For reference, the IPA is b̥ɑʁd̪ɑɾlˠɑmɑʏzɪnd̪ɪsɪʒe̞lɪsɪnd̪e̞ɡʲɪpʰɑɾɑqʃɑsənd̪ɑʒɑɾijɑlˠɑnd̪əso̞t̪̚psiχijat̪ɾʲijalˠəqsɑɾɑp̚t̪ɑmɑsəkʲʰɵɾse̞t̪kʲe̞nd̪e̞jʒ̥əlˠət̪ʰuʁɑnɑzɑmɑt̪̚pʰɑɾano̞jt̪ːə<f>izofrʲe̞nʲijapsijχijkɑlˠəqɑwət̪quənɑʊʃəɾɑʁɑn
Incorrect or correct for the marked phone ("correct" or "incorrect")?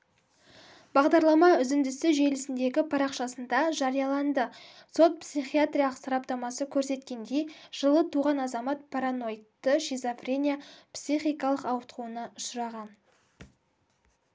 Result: incorrect